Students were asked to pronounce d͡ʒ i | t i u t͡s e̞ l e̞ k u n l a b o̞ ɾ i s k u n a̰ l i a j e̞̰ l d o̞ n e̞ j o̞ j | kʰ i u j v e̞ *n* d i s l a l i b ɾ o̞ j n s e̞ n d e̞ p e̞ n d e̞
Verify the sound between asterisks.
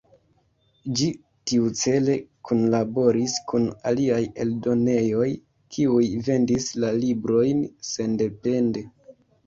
correct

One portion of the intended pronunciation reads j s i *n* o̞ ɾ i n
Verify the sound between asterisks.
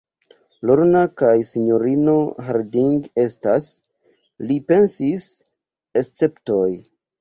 incorrect: ɲ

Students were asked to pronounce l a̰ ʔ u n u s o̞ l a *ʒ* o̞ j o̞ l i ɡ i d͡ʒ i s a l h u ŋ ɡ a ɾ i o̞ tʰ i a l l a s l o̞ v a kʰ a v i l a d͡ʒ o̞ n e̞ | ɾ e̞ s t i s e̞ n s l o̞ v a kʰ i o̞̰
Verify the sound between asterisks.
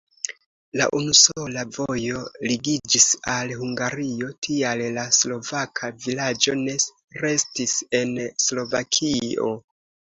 incorrect: v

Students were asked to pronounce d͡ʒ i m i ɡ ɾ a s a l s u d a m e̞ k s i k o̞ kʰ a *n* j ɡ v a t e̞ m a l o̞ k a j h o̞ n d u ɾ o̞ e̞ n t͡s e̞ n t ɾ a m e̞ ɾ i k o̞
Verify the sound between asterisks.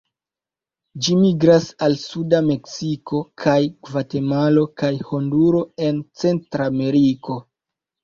incorrect: none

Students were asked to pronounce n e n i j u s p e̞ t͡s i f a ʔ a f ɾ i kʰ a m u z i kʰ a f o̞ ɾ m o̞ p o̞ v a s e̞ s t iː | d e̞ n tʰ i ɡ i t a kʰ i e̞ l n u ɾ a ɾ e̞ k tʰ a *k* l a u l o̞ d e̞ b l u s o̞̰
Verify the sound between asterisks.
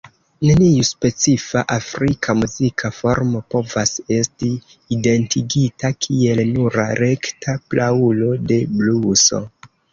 incorrect: p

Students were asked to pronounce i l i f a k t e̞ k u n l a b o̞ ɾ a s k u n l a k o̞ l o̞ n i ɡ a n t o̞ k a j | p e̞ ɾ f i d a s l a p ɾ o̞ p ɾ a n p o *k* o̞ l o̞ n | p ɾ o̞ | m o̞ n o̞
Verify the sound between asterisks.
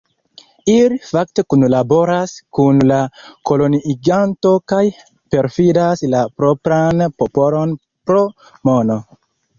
incorrect: p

